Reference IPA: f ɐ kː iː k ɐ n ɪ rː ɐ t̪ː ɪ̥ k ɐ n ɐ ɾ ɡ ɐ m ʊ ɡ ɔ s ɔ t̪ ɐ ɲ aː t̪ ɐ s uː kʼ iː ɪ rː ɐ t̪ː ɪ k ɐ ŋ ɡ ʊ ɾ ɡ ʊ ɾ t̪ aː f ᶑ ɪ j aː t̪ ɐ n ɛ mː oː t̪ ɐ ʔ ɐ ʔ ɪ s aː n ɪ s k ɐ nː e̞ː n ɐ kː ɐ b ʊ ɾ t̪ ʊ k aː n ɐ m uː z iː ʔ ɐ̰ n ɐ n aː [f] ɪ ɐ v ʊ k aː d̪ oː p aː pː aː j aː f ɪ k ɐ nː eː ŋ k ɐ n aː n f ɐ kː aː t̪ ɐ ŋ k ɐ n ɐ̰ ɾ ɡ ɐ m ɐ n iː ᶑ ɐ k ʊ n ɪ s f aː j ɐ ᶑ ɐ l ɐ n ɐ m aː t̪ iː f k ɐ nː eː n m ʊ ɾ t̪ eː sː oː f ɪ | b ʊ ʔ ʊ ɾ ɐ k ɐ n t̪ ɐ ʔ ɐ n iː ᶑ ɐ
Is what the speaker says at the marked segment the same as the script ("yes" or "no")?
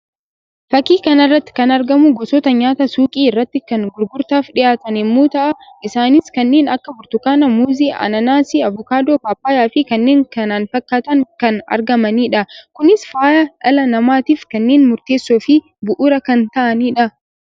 no